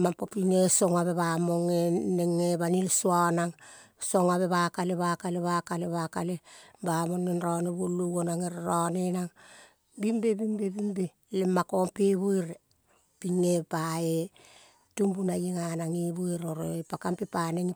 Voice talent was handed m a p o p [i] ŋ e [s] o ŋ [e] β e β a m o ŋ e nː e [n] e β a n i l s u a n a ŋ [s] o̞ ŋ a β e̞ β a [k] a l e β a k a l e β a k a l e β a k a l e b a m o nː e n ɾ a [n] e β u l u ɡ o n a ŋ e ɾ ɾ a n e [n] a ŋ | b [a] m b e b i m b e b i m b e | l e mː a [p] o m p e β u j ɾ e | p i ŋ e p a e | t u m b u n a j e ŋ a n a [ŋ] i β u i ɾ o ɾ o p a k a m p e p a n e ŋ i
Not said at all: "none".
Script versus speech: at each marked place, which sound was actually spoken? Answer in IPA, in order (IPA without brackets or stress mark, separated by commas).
i, s, a, ŋ, s, k, n, n, i, k, ŋ